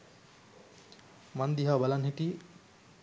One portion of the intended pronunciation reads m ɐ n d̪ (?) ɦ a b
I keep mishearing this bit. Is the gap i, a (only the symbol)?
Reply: i